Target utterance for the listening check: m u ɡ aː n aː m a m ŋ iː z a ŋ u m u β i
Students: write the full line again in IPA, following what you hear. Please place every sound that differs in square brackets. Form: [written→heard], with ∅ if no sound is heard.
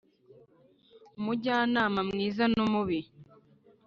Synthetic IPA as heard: m u [ɡ→ɟ] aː n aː m a m ŋ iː z a [ŋ→n] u m u β i